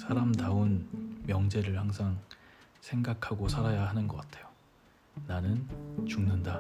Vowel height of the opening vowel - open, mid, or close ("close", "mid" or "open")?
open